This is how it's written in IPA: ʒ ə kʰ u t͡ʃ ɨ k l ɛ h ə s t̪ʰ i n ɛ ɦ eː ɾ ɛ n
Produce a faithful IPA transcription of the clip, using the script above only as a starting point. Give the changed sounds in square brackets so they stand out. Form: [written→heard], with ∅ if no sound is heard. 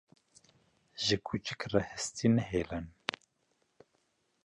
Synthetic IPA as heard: ʒ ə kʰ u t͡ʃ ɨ k [l→r] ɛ h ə s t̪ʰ i n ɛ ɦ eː [ɾ→l] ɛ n